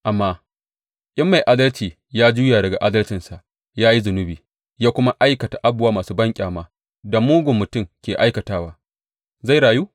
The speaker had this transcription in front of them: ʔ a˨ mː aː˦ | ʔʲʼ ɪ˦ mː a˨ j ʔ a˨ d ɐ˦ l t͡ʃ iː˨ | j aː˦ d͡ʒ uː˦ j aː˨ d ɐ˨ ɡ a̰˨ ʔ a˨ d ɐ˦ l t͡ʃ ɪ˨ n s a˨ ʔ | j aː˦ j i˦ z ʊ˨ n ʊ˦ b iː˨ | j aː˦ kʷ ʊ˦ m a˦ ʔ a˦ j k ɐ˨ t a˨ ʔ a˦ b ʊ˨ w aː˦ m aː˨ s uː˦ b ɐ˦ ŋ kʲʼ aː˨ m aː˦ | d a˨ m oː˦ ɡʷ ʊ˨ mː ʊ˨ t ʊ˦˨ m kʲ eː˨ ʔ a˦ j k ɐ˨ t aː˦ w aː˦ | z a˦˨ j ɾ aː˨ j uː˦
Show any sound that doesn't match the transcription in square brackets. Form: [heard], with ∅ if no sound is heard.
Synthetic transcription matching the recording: ʔ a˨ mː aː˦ | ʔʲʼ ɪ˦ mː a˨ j ʔ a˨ d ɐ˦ l t͡ʃ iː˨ | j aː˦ d͡ʒ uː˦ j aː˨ d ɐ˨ ɡ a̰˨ ʔ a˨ d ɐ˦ l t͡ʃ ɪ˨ n s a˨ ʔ | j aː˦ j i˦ z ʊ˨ n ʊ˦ b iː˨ | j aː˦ kʷ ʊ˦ m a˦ ʔ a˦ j k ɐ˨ t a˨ ʔ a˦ b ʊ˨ w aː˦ m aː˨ s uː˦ b ɐ˦ ŋ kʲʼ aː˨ m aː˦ | d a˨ m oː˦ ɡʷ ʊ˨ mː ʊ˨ t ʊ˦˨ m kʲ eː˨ ʔ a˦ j k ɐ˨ t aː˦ w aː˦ | z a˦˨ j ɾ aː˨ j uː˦